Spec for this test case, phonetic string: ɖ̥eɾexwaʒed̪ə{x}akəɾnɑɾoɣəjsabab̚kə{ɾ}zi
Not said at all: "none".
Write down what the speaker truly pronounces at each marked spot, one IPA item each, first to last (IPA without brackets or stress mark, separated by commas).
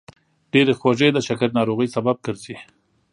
ʃ, ɾ